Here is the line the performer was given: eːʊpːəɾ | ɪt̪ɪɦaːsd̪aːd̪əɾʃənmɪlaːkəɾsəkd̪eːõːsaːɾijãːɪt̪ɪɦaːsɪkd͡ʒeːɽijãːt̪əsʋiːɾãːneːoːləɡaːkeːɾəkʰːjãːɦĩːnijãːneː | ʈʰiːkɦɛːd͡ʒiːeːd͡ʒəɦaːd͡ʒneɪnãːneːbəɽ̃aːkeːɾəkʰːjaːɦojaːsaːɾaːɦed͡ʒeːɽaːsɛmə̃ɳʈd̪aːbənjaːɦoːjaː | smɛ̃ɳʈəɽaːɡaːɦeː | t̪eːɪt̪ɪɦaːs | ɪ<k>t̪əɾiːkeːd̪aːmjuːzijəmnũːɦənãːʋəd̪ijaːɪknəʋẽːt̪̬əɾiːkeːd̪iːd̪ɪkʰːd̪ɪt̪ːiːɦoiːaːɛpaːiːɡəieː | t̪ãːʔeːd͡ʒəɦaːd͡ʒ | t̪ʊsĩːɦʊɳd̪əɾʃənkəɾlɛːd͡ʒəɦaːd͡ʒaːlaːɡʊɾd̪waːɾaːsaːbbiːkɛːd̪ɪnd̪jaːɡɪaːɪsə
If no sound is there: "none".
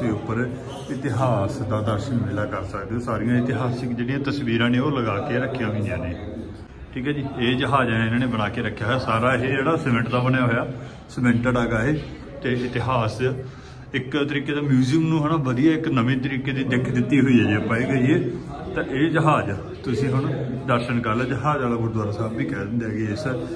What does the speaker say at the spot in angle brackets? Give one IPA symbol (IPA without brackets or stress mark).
k